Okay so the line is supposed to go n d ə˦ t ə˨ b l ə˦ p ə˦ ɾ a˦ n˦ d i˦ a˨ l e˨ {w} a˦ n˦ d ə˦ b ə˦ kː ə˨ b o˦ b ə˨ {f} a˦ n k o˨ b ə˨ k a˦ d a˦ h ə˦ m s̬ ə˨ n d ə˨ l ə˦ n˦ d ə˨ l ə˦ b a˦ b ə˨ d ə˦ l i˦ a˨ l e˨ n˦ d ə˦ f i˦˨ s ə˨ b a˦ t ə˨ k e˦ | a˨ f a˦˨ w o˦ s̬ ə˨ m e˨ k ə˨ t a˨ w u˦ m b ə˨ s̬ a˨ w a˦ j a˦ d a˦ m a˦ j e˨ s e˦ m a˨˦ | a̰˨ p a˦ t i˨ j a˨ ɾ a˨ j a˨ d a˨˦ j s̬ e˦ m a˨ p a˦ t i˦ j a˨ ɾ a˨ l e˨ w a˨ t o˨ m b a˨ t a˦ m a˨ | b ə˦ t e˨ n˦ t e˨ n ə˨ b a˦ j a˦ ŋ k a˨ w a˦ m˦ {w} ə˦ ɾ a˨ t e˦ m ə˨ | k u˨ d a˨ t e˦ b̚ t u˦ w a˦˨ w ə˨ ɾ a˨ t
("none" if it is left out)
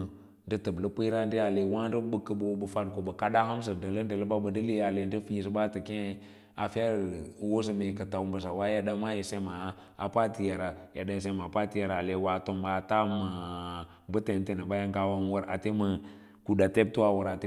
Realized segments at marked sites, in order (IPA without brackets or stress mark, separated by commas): w, f, w